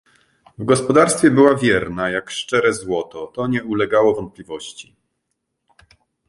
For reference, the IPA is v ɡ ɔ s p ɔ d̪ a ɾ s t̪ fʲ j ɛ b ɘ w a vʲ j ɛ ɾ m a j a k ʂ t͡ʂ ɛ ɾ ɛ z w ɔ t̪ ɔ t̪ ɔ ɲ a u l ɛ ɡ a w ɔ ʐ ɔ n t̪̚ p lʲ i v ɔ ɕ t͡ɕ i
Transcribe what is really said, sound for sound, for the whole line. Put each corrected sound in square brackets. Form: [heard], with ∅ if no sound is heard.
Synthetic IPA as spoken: v ɡ ɔ s p ɔ d̪ a ɾ s t̪ fʲ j ɛ b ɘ w a vʲ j ɛ ɾ [n] a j a k ʂ t͡ʂ ɛ ɾ ɛ z w ɔ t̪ ɔ t̪ ɔ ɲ [ɛ] u l ɛ ɡ a w ɔ [v] ɔ n t̪̚ p lʲ i v ɔ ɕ t͡ɕ i